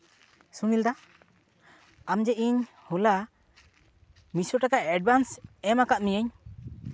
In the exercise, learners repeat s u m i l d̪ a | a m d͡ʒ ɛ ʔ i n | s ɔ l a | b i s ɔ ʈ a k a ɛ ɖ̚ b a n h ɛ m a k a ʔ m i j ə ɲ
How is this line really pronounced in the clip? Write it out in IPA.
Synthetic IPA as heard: s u ŋ i l d̪ a | a m d͡ʒ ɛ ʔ i ɲ | h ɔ l a | m i s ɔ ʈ a k a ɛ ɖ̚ b a n s ɛ m a k a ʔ m i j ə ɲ